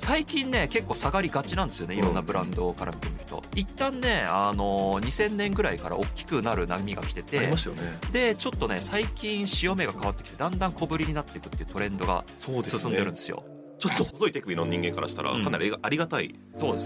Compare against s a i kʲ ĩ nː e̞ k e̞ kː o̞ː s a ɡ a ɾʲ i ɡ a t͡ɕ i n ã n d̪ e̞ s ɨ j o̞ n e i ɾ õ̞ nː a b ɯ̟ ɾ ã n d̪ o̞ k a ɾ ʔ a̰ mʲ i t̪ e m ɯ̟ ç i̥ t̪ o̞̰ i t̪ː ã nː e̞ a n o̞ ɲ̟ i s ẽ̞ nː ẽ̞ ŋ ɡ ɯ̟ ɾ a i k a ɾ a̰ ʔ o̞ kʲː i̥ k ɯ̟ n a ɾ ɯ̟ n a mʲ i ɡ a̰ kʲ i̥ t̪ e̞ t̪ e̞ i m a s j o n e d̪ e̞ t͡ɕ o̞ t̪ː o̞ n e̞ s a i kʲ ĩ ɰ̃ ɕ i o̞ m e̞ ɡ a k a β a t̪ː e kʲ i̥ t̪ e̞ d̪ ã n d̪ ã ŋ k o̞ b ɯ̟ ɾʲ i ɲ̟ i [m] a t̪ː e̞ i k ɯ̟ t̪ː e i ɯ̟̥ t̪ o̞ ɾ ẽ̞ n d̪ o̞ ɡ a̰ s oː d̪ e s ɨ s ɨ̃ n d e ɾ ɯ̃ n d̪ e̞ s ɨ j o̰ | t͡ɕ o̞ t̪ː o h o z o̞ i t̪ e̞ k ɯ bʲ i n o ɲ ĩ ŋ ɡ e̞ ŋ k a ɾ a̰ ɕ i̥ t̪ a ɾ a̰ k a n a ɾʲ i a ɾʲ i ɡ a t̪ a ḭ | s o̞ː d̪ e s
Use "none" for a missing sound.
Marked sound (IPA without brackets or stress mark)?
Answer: n